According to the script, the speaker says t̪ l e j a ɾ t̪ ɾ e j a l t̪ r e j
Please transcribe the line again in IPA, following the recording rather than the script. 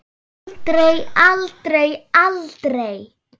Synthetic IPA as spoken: t̪ ɾ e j a l t̪ ɾ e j a l t̪ ɾ e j